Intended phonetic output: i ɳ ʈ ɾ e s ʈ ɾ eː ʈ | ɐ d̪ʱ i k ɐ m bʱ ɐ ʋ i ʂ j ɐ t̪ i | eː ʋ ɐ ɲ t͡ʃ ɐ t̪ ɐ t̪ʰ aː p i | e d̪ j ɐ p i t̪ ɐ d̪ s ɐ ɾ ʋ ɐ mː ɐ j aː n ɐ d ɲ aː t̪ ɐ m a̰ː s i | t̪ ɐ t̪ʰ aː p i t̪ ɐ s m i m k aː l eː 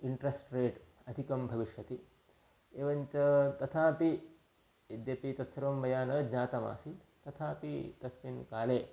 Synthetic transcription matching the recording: i ɳ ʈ ɾ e s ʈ ɾ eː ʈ | ɐ d̪ʱ i k ɐ m bʱ ɐ ʋ i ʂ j ɐ t̪ i | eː ʋ ɐ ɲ t͡ʃ ɐ t̪ ɐ t̪ʰ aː p i | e d̪ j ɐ p i t̪ ɐ t̪ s ɐ ɾ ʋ ɐ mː ɐ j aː n ɐ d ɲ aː t̪ ɐ m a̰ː s i | t̪ ɐ t̪ʰ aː p i t̪ ɐ s m i n k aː l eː

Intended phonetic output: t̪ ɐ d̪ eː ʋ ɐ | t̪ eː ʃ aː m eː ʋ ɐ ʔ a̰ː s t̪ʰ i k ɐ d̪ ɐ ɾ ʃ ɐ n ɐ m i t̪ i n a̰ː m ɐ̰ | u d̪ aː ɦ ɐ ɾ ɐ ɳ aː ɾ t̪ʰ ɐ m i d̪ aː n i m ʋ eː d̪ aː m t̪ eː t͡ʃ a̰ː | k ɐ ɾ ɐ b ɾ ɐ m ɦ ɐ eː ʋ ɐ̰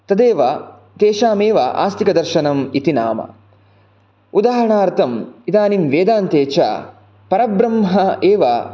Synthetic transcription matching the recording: t̪ ɐ d̪ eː ʋ ɐ | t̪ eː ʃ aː m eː ʋ ɐ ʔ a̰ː s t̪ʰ i k ɐ d̪ ɐ ɾ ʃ ɐ n ɐ m i t̪ i n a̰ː m ɐ̰ | u d̪ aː ɦ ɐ ɾ ɐ ɳ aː ɾ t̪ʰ ɐ m i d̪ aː n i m ʋ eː d̪ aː n t̪ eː t͡ʃ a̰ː | p ɐ ɾ ɐ b ɾ ɐ m ɦ ɐ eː ʋ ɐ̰

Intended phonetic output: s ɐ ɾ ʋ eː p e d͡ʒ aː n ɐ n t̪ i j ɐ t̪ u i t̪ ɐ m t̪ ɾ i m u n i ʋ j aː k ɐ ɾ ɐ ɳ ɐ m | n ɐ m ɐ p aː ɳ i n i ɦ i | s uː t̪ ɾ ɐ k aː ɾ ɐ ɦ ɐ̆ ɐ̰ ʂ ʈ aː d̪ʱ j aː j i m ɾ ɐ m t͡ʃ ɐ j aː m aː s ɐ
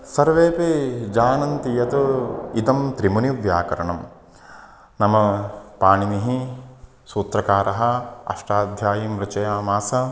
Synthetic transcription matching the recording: s ɐ ɾ ʋ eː p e d͡ʒ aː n ɐ n t̪ i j ɐ t̪ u i t̪ ɐ m t̪ ɾ i m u n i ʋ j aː k ɐ ɾ ɐ ɳ ɐ m | n ɐ m ɐ p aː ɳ i n i ɦ i | s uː t̪ ɾ ɐ k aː ɾ ɐ ɦ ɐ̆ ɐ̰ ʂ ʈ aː d̪ʱ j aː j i m ɾ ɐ t͡ʃ ɐ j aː m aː s ɐ

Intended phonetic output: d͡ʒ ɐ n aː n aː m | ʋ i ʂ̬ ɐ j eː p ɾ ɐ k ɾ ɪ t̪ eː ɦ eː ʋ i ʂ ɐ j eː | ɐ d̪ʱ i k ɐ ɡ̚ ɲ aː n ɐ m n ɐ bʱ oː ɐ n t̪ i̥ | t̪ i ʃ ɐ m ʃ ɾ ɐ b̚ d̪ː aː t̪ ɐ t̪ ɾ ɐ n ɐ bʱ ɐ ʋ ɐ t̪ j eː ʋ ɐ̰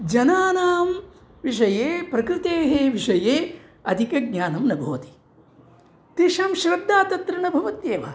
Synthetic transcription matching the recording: d͡ʒ ɐ n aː n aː m | ʋ i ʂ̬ ɐ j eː p ɾ ɐ k ɾ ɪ t̪ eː ɦ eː ʋ i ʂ ɐ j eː | ɐ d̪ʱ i k ɐ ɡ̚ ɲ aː n ɐ m n ɐ bʱ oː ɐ t̪ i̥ | t̪ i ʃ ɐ m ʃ ɾ ɐ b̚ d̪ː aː t̪ ɐ t̪ ɾ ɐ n ɐ bʱ ɐ ʋ ɐ t̪ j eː ʋ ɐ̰

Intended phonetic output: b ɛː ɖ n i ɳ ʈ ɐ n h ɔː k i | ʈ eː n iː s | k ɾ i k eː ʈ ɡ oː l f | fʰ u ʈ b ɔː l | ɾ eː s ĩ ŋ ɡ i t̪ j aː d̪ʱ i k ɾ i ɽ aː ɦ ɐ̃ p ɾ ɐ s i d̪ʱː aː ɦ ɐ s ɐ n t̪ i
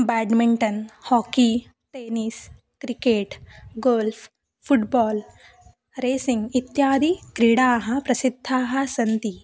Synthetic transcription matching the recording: b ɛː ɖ m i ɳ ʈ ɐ n h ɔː k i | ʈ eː n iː s | k ɾ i k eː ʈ ɡ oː l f | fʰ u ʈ b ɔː l | ɾ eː s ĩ ŋ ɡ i t̪ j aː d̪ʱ i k ɾ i ɽ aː ɦ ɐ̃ p ɾ ɐ s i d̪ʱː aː ɦ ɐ s ɐ n t̪ i

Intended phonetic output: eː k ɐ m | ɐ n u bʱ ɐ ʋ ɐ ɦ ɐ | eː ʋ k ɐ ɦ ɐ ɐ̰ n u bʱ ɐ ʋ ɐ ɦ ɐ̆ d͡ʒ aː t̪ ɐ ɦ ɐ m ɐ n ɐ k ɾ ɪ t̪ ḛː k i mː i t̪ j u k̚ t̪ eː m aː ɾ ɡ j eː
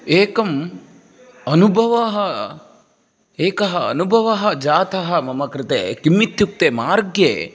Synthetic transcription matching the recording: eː k ɐ m | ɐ n u bʱ ɐ ʋ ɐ ɦ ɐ | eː k ɐ ɦ ɐ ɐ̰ n u bʱ ɐ ʋ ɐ ɦ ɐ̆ d͡ʒ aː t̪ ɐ ɦ ɐ m ɐ m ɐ k ɾ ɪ t̪ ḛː k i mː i t̪ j u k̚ t̪ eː m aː ɾ ɡ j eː

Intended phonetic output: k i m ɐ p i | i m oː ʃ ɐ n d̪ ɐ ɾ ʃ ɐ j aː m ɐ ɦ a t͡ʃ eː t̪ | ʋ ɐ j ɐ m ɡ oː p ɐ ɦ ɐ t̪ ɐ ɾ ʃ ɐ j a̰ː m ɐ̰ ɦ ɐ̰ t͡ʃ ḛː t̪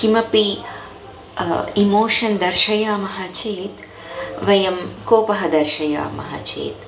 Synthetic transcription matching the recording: k i m ɐ p i | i m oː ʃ ɐ n d̪ ɐ ɾ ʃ ɐ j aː m ɐ ɦ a t͡ʃ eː t̪ | ʋ ɐ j ɐ m k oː p ɐ ɦ ɐ d̪ ɐ ɾ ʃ ɐ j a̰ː m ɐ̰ ɦ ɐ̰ t͡ʃ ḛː t̪

